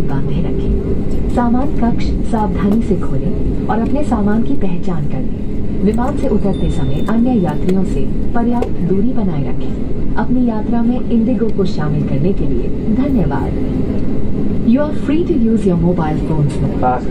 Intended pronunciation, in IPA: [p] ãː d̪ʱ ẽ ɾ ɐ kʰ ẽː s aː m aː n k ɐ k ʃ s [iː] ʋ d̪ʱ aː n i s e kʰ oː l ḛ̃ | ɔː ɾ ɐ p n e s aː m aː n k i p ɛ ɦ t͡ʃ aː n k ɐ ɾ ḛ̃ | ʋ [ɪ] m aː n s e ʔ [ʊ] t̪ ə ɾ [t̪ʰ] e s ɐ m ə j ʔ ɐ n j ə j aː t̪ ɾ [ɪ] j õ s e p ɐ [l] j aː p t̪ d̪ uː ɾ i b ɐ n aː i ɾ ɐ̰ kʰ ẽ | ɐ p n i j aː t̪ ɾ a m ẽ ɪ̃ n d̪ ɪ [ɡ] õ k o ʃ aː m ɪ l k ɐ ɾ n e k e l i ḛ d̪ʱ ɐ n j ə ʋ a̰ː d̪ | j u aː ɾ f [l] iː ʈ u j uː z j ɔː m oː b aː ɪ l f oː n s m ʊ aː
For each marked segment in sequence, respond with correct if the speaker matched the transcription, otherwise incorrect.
incorrect, incorrect, correct, correct, incorrect, incorrect, incorrect, correct, incorrect

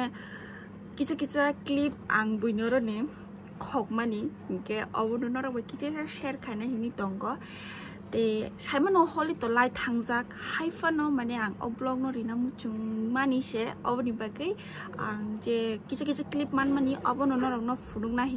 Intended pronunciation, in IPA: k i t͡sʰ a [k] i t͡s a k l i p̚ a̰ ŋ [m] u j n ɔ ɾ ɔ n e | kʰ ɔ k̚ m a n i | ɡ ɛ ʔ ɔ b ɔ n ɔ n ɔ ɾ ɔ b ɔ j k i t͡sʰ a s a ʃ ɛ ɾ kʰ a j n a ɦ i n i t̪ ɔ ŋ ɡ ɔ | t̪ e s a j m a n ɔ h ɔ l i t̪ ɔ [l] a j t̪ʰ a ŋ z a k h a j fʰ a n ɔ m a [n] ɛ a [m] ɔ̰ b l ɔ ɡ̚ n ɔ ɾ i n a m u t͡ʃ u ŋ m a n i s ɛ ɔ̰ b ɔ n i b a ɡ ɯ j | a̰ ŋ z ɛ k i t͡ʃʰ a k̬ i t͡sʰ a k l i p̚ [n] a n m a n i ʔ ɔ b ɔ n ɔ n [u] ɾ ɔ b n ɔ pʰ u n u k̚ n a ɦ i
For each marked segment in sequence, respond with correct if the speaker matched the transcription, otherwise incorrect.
correct, incorrect, correct, correct, incorrect, incorrect, incorrect

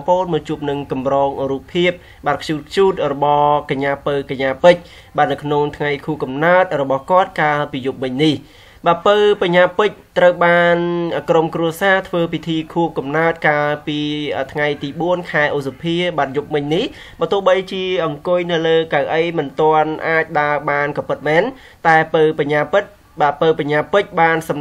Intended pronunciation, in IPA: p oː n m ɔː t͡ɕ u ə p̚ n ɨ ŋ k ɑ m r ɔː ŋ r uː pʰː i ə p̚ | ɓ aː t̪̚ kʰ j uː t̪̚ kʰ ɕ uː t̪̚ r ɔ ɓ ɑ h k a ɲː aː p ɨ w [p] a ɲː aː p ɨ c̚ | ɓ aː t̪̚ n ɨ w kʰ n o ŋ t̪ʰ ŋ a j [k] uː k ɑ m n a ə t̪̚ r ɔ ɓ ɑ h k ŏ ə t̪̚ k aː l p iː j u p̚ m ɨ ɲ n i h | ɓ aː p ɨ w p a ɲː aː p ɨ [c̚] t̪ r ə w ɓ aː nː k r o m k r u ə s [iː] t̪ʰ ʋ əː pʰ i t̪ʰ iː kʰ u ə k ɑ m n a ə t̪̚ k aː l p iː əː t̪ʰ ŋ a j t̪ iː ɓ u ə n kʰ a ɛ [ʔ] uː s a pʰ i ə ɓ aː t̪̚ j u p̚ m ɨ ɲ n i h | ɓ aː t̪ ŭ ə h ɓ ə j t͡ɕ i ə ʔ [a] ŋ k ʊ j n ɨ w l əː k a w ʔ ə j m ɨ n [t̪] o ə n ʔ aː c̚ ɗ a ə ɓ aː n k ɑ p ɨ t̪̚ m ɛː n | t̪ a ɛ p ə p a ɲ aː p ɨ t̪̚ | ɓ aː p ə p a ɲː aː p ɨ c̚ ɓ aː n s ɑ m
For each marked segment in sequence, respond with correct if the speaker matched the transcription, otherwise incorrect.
incorrect, incorrect, correct, incorrect, correct, incorrect, correct

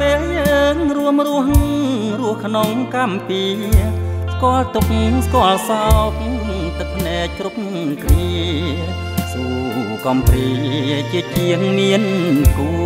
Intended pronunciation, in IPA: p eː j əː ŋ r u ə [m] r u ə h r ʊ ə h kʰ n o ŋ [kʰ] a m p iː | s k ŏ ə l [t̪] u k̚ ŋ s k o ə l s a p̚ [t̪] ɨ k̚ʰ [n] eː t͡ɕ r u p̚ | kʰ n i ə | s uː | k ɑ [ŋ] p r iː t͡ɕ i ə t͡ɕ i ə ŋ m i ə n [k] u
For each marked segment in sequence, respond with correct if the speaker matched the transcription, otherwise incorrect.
correct, incorrect, correct, correct, correct, incorrect, correct

